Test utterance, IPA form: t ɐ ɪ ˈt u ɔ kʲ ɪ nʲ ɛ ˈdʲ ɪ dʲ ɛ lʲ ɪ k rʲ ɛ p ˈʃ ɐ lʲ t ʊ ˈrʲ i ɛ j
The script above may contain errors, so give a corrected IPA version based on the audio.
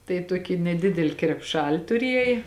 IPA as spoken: t ɐ ɪ ˈt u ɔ kʲ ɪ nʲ ɛ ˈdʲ ɪ dʲ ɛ lʲ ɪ k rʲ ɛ p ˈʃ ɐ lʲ t ʊ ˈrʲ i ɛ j